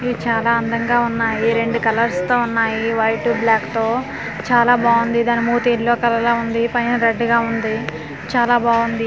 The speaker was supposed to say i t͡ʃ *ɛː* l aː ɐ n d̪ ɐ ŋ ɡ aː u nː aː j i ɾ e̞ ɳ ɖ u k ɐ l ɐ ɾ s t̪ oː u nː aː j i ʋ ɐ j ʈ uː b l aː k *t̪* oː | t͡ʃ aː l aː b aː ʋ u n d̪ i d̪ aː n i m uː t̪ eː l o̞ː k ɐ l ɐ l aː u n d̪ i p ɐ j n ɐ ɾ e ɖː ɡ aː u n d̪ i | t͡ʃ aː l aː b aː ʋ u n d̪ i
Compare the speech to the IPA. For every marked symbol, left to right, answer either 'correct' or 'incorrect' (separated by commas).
incorrect, correct